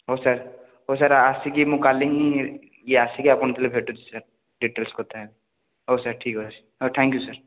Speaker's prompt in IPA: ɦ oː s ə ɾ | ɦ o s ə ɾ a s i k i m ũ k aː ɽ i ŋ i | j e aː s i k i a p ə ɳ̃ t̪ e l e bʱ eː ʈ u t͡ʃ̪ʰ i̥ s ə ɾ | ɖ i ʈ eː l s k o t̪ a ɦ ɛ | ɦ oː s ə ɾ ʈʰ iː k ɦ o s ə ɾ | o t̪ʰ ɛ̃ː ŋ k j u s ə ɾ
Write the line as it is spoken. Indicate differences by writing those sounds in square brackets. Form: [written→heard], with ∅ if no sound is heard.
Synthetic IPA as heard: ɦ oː s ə ɾ | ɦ o s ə ɾ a s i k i m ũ k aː [ɽ→l] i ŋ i | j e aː s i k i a p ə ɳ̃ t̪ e l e bʱ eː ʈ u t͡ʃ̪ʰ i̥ s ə ɾ | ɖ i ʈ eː l s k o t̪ a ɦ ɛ | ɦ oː s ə ɾ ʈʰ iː k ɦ o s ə ɾ | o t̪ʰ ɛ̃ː ŋ k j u s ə ɾ